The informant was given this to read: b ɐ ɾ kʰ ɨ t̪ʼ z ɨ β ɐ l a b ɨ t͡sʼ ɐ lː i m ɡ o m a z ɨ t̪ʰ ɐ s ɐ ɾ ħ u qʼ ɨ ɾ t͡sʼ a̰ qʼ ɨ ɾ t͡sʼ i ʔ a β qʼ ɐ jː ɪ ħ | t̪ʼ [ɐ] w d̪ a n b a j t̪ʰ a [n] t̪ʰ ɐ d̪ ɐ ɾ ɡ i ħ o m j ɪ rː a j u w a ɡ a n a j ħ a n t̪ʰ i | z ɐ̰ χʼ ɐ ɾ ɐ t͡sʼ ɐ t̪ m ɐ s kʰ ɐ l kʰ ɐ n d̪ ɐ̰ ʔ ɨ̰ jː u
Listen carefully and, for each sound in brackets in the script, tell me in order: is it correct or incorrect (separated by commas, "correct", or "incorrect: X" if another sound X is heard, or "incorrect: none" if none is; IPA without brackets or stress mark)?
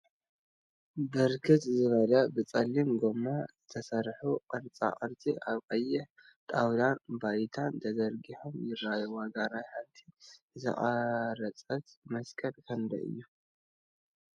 incorrect: a, correct